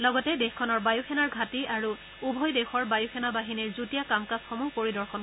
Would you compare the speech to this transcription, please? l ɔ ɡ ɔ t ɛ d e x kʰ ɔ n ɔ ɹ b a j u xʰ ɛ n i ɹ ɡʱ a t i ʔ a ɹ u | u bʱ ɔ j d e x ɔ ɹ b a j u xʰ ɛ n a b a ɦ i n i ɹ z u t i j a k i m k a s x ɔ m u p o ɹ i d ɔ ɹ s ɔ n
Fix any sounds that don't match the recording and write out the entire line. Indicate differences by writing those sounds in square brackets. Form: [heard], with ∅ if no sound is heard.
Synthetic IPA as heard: l ɔ ɡ ɔ t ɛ d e x kʰ ɔ n ɔ ɹ b a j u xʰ ɛ n [a] ɹ ɡʱ a t i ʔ a ɹ u | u bʱ ɔ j d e x ɔ ɹ b a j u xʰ ɛ n a b a ɦ i n i ɹ z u t i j a k [a] m k a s x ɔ m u p o ɹ i d ɔ ɹ [x] ɔ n